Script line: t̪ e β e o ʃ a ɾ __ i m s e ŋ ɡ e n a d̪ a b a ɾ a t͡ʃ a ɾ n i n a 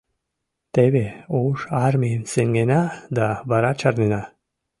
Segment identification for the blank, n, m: m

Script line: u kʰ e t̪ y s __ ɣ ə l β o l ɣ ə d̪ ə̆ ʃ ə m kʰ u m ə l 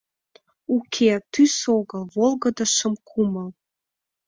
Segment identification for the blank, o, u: o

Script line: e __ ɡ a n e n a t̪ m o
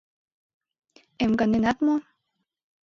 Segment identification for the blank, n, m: m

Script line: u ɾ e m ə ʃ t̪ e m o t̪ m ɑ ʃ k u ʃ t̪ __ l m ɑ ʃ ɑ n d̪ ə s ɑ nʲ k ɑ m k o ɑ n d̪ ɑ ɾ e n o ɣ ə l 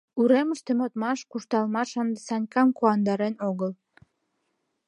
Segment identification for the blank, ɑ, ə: ɑ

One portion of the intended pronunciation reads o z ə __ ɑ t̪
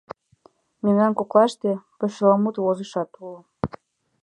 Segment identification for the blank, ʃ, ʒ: ʃ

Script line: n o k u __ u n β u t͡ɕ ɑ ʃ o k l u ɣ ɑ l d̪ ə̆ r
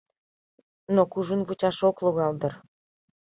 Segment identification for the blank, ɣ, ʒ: ʒ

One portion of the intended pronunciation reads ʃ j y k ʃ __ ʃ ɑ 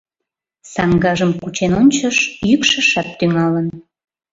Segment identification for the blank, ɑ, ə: ə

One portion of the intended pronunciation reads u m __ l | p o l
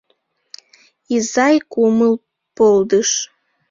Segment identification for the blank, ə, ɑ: ə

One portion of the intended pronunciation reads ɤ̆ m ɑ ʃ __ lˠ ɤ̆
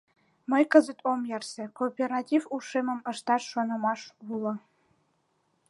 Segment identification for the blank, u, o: u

